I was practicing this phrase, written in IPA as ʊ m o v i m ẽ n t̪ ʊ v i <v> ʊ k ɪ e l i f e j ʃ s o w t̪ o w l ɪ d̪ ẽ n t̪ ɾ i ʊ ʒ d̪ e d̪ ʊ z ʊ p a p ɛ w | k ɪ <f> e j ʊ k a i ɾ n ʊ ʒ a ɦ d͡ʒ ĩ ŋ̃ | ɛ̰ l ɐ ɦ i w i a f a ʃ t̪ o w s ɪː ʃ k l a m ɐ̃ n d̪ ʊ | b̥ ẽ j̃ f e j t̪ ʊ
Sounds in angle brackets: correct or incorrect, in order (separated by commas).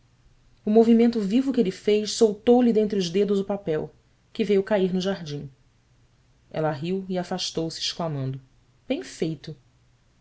correct, incorrect